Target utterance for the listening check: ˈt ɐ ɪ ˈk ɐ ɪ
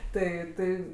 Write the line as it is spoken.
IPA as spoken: ˈt ɐ ɪ ˈt ɐ ɪ